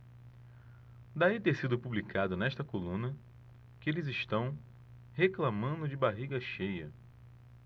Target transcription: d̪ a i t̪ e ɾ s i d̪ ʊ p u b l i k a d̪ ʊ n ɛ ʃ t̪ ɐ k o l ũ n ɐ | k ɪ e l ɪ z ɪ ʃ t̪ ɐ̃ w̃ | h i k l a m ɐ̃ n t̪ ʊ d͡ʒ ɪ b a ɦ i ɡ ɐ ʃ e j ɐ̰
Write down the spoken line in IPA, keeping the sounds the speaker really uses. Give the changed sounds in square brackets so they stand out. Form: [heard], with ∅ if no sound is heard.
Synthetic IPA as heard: d̪ a i t̪ e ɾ s i d̪ ʊ p u b l i k a d̪ ʊ n ɛ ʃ t̪ ɐ k o l ũ n ɐ | k ɪ e l ɪ z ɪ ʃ t̪ ɐ̃ w̃ | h [e] k l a m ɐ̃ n [d̪] ʊ d͡ʒ ɪ b a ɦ i ɡ ɐ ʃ e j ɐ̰